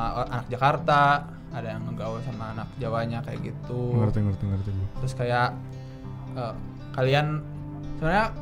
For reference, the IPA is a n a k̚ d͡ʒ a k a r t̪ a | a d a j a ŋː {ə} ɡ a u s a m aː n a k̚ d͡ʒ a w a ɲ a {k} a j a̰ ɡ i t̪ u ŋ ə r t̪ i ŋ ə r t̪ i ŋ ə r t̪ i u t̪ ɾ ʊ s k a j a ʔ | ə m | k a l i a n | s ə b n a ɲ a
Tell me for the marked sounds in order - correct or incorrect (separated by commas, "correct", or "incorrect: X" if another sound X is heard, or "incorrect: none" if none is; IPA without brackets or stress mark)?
correct, correct